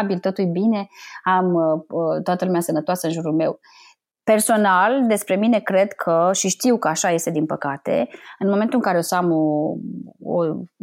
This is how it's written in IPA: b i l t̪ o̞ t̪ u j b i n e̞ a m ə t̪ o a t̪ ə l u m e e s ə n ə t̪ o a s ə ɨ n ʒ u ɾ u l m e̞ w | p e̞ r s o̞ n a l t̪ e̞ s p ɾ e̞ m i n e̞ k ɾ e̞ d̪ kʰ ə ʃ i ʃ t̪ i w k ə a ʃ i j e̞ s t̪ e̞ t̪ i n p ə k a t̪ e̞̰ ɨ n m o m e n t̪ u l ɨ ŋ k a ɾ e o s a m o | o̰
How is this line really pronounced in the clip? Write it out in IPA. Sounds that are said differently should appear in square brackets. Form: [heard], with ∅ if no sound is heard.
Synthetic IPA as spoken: b i l t̪ o̞ t̪ u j b i n e̞ a m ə t̪ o a t̪ ə l u m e [a] s ə n ə t̪ o a s ə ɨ n ʒ u ɾ u l m e̞ w | p e̞ r s o̞ n a l [d̪] e̞ s p ɾ e̞ m i n e̞ k ɾ e̞ d̪ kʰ ə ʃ i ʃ t̪ i w k ə a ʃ [a] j e̞ s t̪ e̞ [d̪] i n p ə k a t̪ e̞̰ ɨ n m o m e n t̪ u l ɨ ŋ k a ɾ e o s a m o | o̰